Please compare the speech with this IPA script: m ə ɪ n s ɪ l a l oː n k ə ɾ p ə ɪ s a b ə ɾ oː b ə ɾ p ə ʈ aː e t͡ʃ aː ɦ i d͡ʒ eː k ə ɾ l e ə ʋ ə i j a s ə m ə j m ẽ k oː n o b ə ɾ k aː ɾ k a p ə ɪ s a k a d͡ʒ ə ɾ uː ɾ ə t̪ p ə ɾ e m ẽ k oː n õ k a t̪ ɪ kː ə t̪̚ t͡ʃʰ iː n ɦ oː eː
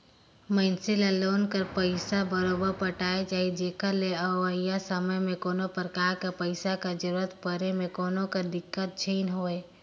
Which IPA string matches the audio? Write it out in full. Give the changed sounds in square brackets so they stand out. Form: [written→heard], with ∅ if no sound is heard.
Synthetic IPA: m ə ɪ n s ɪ l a l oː n k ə ɾ p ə ɪ s a b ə ɾ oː b ə ɾ p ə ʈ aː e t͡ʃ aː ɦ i d͡ʒ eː k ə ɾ l e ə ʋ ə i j a s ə m ə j m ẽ k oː n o [b→p] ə ɾ k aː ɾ k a p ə ɪ s a k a d͡ʒ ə ɾ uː ɾ ə t̪ p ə ɾ e m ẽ k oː n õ k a [t̪→d̪] ɪ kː ə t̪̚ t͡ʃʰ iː n ɦ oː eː